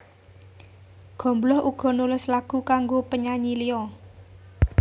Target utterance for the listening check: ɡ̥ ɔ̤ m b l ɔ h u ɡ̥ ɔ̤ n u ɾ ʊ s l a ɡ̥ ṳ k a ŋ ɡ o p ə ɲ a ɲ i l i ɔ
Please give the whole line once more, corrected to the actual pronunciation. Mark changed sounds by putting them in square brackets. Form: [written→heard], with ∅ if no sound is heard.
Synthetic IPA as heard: ɡ̥ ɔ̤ m b l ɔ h u ɡ̥ ɔ̤ n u [ɾ→l] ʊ s l a ɡ̥ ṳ k a ŋ ɡ o p ə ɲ a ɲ i l i ɔ

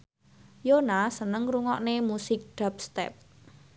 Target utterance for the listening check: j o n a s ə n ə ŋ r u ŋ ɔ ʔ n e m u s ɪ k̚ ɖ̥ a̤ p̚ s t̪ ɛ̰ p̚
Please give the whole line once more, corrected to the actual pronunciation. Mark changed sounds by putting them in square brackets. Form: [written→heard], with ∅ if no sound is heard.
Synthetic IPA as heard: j o n a s ə n ə ŋ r u ŋ ɔ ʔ n e m u s ɪ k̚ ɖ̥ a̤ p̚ s t̪ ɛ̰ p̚

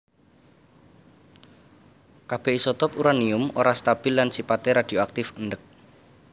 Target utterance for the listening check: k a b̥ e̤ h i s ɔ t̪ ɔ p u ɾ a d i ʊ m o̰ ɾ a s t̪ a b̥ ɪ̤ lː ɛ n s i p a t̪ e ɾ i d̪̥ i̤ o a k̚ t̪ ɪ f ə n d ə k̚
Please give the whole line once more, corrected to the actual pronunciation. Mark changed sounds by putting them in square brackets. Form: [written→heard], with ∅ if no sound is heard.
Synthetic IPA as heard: k a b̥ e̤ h i s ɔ t̪ ɔ p u ɾ a [d→n] i ʊ m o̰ ɾ a s t̪ a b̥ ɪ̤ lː [ɛ→a] n s i p a t̪ e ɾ [i→a] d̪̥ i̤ o a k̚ t̪ ɪ f ə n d ə k̚

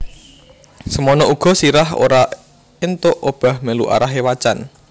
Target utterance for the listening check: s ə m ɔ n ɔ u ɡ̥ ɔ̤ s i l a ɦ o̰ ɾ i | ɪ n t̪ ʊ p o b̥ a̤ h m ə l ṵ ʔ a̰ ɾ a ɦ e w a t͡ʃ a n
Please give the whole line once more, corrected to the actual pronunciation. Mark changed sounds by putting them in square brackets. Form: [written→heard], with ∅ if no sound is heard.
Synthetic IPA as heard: s ə m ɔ n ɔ u ɡ̥ ɔ̤ s i [l→ɾ] a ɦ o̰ ɾ [i→a] | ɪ n t̪ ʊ [p→ʔ] o b̥ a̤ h m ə l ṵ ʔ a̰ ɾ a ɦ e w a t͡ʃ a n

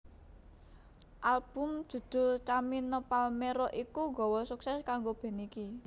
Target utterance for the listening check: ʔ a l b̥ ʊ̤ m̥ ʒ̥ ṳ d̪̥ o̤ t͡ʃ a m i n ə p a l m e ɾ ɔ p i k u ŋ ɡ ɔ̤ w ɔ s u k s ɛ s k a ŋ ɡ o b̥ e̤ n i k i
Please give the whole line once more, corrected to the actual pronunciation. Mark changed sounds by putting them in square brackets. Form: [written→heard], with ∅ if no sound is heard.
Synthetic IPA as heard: ʔ a l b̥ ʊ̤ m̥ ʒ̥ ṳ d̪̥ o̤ t͡ʃ a m i n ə p a l m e ɾ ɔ [p→ʔ] i k u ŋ ɡ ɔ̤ w ɔ s u k s ɛ s k a ŋ ɡ o b̥ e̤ n i k i

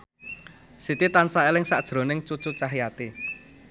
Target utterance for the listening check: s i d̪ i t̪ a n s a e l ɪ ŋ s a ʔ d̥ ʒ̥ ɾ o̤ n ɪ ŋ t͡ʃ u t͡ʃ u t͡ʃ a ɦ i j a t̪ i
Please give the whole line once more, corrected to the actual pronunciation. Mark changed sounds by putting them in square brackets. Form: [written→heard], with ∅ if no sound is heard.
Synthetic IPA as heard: s i [d̪→t̪] i t̪ a n s a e l ɪ ŋ s a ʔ d̥ ʒ̥ ɾ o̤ n ɪ ŋ t͡ʃ u t͡ʃ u t͡ʃ a ɦ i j a t̪ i

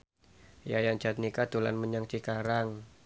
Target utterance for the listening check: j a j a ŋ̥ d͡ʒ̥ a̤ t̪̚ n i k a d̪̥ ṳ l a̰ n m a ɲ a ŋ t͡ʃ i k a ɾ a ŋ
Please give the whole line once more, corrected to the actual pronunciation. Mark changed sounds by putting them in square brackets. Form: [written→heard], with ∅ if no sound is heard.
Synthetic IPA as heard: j a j a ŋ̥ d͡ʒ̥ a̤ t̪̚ n i k a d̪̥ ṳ l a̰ n m [a→ə] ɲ a ŋ t͡ʃ i k a ɾ a ŋ

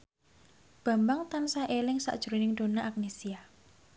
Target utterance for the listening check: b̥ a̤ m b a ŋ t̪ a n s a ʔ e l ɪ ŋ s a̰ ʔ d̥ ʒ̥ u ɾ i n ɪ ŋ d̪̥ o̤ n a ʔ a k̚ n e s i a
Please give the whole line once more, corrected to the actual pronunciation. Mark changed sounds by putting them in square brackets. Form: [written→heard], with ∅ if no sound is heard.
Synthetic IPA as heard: b̥ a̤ m b a ŋ t̪ a n s a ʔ e l ɪ ŋ s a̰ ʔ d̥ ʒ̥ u ɾ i n ɪ ŋ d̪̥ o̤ n a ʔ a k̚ n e s i a

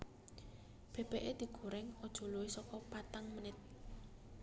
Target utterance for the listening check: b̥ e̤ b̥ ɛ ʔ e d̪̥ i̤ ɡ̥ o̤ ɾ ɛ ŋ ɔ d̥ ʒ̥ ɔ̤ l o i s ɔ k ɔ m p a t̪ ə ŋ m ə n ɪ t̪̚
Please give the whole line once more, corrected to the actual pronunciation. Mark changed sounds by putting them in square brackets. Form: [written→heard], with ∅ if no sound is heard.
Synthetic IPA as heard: b̥ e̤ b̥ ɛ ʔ e d̪̥ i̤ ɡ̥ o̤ ɾ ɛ ŋ ɔ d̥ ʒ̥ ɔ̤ l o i s ɔ k ɔ [m→∅] p a t̪ [ə→a] ŋ m ə n ɪ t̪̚

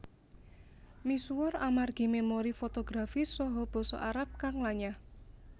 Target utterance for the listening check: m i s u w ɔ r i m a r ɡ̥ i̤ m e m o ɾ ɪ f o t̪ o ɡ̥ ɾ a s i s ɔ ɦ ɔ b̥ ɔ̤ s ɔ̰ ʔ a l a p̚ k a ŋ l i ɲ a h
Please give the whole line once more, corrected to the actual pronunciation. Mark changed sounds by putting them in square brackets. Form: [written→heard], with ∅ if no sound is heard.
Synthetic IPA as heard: m i s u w ɔ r [i→a] m a r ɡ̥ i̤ m e m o ɾ [ɪ→i] f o t̪ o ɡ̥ ɾ a [s→f] i s ɔ ɦ ɔ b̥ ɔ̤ s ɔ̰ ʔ a [l→ɾ] a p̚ k a ŋ l [i→a] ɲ a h

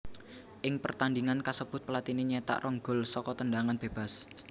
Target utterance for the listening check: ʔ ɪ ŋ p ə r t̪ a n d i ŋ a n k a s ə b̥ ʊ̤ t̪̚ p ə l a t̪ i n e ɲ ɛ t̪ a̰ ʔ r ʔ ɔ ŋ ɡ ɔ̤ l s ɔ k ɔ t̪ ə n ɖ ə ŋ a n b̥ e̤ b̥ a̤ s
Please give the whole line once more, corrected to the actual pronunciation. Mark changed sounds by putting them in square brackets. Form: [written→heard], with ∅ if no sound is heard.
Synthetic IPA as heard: ʔ ɪ ŋ p ə r t̪ a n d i ŋ a n k a s ə b̥ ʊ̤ t̪̚ p ə l a t̪ i n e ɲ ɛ t̪ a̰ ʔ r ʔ ɔ ŋ ɡ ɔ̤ l s ɔ k ɔ t̪ ə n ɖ [ə→a] ŋ a n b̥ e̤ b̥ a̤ s

